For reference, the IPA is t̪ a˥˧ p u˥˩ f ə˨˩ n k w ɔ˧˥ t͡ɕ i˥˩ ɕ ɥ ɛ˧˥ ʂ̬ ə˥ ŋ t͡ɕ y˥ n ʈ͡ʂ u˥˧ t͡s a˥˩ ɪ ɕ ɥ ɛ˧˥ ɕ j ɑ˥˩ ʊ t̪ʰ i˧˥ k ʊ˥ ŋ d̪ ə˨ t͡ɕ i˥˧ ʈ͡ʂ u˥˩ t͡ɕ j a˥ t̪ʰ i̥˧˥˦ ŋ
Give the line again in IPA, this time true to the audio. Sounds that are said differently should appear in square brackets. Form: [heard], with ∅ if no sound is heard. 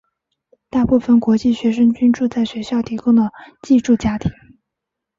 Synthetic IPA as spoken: t̪ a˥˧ p u˥˩ f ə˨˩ n k w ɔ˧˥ t͡ɕ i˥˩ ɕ ɥ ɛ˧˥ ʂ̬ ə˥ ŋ t͡ɕ y˥ n ʈ͡ʂ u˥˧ t͡s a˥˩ ɪ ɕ ɥ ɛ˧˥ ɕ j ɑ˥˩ ʊ t̪ʰ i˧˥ k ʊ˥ ŋ d̪ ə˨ t͡ɕ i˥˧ ʈ͡ʂ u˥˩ t͡ɕ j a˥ t̪ʰ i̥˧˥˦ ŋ